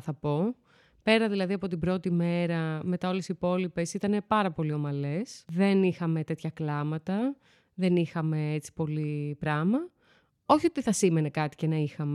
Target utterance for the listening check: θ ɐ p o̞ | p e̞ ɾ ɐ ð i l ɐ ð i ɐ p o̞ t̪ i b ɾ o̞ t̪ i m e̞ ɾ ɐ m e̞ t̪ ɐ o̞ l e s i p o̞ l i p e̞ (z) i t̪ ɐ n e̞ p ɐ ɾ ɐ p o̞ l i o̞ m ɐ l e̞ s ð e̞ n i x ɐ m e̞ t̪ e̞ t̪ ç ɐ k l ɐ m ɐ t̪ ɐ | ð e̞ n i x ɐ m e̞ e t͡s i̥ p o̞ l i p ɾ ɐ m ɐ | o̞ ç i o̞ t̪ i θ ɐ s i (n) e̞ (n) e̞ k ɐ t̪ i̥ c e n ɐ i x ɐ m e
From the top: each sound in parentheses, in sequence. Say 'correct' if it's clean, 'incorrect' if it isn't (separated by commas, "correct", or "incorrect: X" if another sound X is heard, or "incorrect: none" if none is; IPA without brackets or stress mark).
incorrect: s, incorrect: m, correct